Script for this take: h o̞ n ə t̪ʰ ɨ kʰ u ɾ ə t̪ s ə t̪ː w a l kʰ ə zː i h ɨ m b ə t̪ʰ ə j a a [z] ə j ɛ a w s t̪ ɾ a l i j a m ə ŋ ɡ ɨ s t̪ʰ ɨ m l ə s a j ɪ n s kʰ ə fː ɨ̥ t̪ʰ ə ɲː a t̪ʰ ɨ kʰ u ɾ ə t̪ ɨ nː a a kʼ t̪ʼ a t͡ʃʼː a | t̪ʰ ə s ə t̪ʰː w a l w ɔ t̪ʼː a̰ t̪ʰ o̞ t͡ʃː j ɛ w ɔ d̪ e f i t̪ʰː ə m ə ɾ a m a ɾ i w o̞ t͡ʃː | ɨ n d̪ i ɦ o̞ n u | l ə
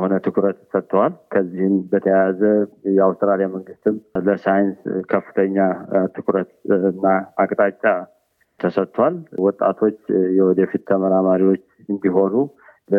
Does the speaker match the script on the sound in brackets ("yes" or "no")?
yes